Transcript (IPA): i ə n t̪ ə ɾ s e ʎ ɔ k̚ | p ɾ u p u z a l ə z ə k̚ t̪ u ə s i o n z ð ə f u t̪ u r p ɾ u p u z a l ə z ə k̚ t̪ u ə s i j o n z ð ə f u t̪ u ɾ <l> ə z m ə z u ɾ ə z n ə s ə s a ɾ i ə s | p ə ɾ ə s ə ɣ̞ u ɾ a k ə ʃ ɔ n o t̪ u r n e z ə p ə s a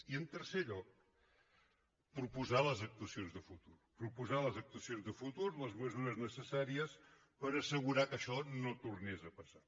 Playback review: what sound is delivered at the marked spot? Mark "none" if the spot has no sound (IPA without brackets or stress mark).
l